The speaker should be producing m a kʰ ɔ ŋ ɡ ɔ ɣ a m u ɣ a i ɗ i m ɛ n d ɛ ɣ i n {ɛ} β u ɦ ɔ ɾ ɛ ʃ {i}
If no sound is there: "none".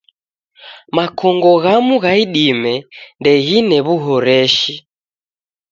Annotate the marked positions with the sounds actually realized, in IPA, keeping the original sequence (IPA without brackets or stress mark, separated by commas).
ɛ, i